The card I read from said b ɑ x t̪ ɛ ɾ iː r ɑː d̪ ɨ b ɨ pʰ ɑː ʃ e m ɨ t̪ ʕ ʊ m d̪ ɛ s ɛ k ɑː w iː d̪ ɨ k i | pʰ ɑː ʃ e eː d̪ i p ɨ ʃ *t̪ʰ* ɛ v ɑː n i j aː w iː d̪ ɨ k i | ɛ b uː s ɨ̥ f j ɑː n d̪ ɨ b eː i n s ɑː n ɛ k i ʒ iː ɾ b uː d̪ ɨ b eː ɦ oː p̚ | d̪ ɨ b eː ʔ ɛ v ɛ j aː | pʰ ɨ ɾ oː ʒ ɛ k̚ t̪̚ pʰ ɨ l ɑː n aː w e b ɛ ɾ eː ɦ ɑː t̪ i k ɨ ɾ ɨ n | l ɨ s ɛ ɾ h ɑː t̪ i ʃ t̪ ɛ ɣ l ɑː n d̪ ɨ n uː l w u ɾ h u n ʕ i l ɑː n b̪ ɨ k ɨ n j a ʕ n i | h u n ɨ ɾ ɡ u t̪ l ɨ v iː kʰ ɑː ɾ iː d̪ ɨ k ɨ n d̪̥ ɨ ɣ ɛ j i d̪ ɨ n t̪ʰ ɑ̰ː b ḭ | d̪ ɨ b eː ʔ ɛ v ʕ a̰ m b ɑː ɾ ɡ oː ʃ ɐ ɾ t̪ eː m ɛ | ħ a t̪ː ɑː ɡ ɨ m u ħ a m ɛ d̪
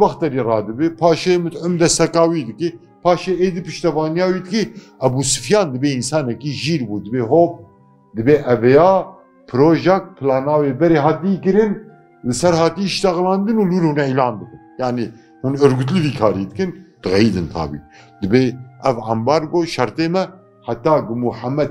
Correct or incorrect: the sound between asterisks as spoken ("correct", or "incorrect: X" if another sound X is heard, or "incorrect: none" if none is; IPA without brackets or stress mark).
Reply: incorrect: t̪